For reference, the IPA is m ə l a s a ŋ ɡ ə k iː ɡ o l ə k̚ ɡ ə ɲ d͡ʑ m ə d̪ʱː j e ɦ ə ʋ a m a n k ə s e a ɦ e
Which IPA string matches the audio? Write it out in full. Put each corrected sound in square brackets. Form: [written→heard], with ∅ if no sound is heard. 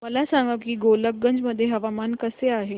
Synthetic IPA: m ə l a s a ŋ ɡ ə k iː ɡ o l ə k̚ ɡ ə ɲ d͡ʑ m ə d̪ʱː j e ɦ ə ʋ a m a n k ə s e a ɦ e